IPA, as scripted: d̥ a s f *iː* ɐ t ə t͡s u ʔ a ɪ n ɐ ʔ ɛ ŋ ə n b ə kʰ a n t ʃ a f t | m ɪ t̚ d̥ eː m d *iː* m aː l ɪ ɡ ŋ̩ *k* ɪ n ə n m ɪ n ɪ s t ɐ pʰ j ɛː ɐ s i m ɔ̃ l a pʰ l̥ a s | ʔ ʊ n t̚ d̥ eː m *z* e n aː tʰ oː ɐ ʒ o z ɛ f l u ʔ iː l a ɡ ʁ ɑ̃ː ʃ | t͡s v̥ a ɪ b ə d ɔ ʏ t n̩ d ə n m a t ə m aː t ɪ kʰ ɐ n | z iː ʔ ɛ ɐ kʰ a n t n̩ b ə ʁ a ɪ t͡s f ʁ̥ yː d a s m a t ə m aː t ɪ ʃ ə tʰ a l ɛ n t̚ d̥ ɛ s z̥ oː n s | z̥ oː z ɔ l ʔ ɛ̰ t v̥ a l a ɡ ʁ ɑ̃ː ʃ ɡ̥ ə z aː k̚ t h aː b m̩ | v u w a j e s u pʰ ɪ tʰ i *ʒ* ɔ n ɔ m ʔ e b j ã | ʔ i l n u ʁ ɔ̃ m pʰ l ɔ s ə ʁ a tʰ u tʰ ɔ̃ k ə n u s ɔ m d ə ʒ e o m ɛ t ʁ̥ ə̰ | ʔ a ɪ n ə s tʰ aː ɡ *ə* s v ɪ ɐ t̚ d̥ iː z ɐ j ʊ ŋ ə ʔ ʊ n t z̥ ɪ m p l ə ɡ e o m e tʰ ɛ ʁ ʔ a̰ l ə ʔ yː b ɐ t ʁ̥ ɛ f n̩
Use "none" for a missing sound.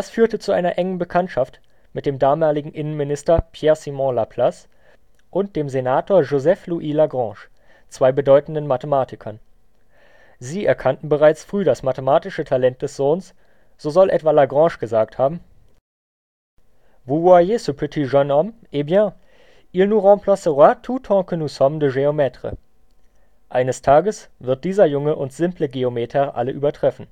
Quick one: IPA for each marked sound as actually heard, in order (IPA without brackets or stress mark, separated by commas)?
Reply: yː, aː, ʔ, z, ʒ, ə